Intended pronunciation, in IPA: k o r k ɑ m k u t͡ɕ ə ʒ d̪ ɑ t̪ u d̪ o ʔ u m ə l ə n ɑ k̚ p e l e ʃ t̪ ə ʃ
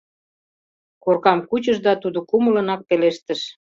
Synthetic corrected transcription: k o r k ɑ m k u t͡ɕ ə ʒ d̪ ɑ t̪ u d̪ o k u m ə l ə n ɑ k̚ p e l e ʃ t̪ ə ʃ